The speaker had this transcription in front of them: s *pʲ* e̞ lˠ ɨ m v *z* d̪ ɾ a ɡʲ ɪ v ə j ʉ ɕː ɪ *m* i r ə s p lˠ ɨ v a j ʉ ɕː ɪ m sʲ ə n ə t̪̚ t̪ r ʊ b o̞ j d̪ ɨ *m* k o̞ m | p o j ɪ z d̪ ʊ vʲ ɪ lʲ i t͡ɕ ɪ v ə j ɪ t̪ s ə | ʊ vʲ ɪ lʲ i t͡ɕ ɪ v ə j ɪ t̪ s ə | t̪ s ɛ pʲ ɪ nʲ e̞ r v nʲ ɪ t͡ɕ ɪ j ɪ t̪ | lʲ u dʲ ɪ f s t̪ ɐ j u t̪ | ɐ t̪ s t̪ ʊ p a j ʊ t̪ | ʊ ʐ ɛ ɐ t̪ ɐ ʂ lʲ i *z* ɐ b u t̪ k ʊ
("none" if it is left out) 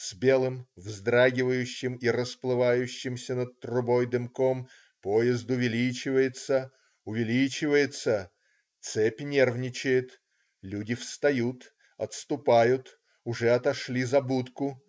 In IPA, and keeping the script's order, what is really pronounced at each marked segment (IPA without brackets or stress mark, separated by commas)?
bʲ, z, m, m, z